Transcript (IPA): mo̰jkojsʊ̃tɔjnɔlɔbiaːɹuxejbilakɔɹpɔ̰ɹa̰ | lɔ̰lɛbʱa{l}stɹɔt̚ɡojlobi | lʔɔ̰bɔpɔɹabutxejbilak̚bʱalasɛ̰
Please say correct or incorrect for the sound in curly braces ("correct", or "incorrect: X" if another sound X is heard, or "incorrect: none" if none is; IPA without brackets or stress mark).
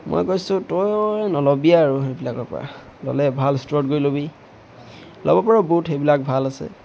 correct